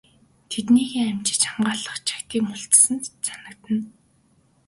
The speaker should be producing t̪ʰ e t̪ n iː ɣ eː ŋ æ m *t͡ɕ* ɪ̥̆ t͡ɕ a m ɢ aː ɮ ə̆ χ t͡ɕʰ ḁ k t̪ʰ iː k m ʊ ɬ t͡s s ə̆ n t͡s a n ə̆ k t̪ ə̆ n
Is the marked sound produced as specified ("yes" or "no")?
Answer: yes